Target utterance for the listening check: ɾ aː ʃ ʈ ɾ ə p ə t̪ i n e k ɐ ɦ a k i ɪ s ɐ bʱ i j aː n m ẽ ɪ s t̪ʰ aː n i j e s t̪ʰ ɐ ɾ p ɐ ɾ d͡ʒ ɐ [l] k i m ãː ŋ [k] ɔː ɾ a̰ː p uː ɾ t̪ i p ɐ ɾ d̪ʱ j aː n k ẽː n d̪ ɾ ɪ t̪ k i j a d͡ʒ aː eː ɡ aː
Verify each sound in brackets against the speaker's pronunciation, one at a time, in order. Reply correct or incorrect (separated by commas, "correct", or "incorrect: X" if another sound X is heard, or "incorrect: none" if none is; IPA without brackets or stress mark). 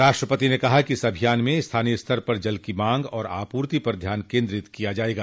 correct, incorrect: ɡ